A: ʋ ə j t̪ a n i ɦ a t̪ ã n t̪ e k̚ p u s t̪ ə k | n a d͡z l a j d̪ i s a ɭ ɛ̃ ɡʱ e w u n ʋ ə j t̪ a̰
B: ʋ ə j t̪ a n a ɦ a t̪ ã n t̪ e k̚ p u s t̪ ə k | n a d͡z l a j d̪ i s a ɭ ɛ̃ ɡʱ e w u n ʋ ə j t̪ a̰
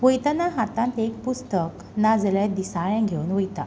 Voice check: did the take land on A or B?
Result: B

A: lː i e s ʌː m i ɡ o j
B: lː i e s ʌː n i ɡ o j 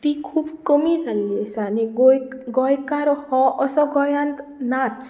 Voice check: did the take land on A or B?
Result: B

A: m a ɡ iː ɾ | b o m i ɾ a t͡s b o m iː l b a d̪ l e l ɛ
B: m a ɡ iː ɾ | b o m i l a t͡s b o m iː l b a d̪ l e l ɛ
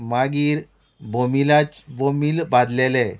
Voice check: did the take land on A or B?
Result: B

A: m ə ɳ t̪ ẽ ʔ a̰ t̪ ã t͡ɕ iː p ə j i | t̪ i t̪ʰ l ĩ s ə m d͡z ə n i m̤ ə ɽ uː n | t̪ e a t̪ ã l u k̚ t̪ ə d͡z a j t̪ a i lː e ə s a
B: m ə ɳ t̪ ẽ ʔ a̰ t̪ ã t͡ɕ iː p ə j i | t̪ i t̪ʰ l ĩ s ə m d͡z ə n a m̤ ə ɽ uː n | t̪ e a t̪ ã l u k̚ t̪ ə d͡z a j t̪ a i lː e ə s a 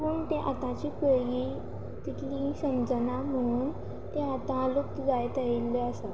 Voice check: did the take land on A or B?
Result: B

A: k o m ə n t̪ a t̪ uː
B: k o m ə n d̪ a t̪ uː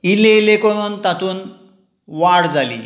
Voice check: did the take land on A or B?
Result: A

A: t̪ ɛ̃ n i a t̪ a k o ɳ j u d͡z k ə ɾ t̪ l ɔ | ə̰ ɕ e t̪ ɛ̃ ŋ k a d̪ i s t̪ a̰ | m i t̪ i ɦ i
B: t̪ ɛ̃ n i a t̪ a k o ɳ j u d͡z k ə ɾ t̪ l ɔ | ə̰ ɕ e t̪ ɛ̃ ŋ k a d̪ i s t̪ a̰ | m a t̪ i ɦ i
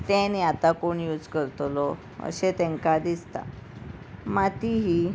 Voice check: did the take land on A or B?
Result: B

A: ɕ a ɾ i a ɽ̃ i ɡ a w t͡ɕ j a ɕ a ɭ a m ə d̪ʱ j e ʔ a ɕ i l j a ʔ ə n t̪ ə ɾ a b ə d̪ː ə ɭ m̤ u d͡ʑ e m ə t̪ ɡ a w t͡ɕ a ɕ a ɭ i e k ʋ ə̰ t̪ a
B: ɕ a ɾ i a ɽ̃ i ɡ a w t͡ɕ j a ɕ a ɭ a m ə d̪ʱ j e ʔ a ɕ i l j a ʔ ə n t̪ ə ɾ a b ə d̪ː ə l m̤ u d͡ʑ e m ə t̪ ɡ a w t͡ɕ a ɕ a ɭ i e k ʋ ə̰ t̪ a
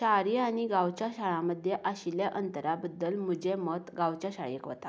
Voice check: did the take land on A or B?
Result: B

